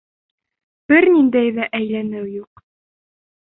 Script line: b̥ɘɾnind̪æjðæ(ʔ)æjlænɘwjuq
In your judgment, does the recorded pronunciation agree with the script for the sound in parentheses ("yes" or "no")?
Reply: yes